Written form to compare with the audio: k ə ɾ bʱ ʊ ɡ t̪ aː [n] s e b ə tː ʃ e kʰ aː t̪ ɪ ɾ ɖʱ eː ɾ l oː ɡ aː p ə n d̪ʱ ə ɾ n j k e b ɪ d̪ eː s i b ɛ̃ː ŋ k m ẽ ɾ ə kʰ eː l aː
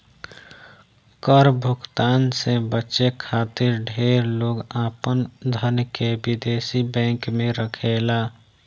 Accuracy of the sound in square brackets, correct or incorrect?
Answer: correct